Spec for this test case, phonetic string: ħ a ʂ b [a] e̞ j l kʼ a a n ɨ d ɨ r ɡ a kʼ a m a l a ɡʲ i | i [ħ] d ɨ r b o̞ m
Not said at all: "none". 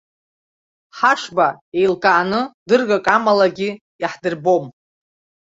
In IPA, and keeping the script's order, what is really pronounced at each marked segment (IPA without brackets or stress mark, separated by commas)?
a, ħ